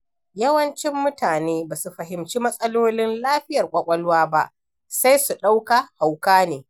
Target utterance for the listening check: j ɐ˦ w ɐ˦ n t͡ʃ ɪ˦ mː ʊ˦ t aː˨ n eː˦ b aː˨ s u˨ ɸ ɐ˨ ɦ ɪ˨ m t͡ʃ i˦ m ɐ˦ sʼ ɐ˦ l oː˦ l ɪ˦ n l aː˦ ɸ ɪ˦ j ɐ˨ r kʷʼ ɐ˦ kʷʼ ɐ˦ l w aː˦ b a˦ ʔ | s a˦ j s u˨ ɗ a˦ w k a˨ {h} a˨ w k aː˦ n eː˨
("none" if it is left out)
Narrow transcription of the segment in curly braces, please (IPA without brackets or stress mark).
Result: h